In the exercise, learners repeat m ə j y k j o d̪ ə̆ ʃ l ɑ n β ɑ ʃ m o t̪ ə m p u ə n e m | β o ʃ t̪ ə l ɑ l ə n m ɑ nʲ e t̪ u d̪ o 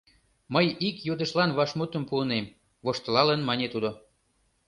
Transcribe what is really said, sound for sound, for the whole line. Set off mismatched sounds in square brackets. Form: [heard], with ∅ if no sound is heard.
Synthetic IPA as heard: m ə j [i] k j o d̪ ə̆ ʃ l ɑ n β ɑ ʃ m [u] t̪ ə m p u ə n e m | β o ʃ t̪ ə l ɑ l ə n m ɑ nʲ e t̪ u d̪ o